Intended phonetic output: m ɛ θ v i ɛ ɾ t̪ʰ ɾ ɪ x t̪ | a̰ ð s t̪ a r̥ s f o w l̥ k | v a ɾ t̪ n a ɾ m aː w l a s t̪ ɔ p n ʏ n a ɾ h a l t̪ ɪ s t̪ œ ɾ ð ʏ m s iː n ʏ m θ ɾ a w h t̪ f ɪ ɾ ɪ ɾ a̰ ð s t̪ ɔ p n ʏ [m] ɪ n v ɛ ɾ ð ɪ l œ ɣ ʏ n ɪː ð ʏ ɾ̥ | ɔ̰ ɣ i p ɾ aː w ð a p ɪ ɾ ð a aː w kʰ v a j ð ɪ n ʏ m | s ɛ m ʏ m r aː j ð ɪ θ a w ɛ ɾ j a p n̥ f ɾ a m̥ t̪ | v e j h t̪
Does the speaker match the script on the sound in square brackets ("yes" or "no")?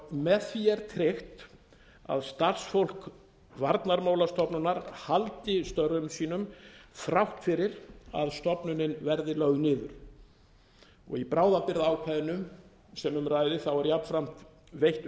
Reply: no